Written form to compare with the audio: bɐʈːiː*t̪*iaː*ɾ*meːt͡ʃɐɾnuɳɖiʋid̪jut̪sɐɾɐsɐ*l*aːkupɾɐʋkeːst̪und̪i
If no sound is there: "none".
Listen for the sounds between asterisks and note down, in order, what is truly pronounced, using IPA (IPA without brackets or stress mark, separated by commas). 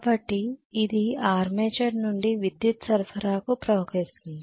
d̪, ɾ, ɾ